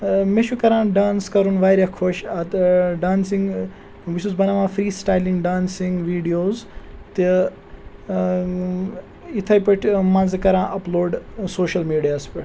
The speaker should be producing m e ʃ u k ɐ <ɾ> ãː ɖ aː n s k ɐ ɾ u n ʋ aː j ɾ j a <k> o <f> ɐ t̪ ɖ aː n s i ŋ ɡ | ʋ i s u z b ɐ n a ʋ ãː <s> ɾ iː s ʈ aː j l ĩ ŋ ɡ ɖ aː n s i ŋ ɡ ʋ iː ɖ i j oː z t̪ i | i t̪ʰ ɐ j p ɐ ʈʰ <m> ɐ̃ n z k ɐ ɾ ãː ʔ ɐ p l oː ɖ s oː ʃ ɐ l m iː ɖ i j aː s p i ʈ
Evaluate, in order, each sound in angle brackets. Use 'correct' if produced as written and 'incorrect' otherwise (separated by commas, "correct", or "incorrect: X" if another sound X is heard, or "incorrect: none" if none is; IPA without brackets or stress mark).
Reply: correct, incorrect: kʰ, incorrect: ʃ, incorrect: f, correct